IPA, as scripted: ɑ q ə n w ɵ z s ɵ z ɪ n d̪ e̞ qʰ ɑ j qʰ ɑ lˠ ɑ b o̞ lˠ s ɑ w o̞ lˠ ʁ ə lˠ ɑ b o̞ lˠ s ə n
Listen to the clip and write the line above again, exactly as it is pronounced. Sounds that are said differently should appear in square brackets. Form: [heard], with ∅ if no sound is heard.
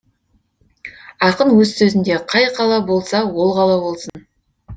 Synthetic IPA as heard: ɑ q ə n w ɵ z s ɵ z ɪ n d̪ e̞ qʰ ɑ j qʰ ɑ lˠ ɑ b o̞ lˠ s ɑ w o̞ lˠ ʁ [ɑ] lˠ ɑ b o̞ lˠ s ə n